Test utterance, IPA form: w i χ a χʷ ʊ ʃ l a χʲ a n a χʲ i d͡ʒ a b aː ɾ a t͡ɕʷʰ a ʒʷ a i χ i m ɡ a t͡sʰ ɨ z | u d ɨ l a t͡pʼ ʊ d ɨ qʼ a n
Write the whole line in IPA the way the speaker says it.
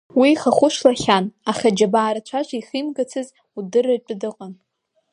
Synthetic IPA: w i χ a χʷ ʊ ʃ l a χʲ a n a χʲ a d͡ʒ a b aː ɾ a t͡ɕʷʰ a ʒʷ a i χ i m ɡ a t͡sʰ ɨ z | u d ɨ r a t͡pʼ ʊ d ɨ qʼ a n